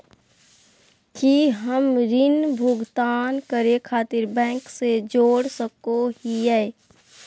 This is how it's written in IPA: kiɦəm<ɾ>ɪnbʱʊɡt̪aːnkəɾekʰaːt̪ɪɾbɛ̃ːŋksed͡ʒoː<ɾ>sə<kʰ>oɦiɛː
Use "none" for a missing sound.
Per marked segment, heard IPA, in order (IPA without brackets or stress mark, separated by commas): ɾ, ɽ, k